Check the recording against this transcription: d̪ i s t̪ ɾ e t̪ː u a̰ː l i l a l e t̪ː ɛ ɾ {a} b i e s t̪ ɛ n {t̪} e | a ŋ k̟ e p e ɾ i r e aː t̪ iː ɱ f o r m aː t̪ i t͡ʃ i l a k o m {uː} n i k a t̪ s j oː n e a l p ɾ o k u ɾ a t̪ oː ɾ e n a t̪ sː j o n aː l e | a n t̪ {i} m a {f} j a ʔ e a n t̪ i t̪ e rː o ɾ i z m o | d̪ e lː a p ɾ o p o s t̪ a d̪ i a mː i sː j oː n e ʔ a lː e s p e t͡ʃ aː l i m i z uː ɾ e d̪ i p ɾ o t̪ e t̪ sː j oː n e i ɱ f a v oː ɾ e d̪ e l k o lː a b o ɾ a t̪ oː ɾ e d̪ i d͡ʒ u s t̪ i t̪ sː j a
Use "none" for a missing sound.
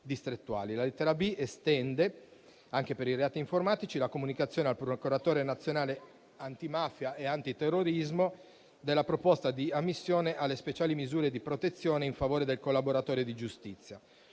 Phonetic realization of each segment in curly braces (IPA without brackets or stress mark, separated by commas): a, d̪, u, i, f